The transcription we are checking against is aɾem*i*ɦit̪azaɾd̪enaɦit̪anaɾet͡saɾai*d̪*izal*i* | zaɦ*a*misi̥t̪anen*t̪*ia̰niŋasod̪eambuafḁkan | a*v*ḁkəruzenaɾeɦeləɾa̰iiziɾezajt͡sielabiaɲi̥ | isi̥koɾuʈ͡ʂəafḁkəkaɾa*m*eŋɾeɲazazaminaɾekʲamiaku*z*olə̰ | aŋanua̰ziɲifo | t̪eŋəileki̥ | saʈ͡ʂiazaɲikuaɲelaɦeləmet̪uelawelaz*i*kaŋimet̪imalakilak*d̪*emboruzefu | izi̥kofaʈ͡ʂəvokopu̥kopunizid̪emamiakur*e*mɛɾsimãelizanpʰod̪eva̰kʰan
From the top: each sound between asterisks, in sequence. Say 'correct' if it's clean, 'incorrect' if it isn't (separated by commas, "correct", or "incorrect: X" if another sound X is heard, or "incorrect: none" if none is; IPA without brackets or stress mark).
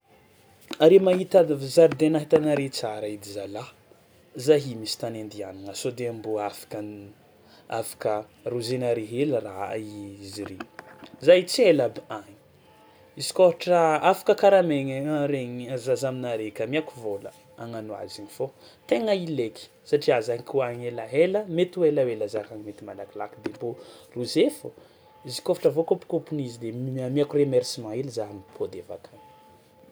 incorrect: a, correct, incorrect: a, incorrect: i, incorrect: d̪, incorrect: f, correct, incorrect: v, incorrect: a, correct, correct